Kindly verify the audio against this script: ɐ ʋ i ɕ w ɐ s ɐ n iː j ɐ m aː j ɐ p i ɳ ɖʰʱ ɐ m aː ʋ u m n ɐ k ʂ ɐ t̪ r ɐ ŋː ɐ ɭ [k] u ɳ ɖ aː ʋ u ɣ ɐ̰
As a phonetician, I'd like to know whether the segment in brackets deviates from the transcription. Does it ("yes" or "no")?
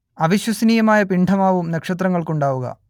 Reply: no